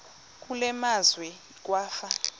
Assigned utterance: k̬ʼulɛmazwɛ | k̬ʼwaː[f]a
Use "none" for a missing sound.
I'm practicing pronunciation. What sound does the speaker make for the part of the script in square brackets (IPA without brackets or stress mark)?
f